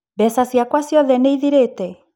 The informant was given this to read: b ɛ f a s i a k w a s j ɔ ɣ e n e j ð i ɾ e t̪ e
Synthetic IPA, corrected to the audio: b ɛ s a s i a k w a s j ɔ ð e n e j ð i ɾ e t̪ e